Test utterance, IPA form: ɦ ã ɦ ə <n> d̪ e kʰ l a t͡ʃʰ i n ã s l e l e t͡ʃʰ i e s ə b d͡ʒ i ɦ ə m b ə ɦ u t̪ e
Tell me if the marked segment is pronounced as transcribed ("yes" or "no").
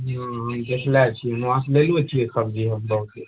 no